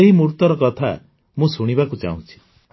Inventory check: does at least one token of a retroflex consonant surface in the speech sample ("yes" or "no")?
yes